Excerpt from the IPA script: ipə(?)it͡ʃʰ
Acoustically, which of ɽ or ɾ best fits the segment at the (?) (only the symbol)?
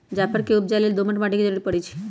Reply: ɽ